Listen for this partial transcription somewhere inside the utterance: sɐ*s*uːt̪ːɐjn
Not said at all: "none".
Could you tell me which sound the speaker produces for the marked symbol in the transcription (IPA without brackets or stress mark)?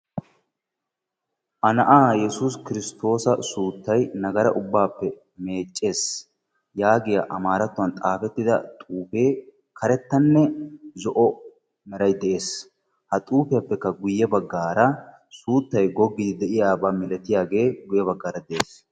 s